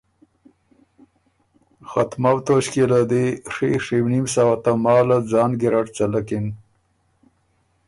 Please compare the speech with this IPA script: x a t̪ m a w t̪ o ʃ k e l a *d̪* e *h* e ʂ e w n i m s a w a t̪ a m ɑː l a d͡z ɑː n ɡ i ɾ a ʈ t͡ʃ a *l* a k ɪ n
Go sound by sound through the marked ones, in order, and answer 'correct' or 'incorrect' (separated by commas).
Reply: correct, incorrect, correct